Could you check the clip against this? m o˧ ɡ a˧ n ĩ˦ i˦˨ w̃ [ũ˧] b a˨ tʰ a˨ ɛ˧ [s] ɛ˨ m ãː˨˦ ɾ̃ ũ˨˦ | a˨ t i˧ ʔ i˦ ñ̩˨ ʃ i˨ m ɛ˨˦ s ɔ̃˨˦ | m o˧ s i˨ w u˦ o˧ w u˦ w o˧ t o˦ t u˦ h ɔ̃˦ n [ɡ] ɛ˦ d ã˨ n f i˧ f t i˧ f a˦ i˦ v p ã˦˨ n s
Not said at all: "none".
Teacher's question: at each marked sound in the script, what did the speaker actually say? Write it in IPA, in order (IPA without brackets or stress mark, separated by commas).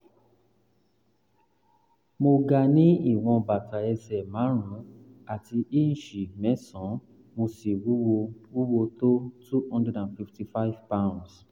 ɔ̃˧, s, d